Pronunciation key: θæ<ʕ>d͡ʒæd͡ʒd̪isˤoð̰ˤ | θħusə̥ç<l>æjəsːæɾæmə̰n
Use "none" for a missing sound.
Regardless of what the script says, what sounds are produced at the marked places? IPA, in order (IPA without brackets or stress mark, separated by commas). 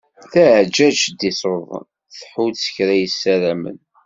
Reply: ʕ, ɾ